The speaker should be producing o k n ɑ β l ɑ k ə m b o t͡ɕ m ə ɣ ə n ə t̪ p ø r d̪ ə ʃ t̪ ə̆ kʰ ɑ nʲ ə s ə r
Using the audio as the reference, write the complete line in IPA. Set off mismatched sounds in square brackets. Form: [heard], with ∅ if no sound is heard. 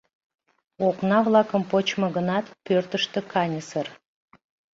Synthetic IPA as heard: o k n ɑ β l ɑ k ə m [p] o t͡ɕ m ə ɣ ə n [ɑ] t̪ p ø r [t̪] ə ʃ t̪ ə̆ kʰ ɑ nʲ ə s ə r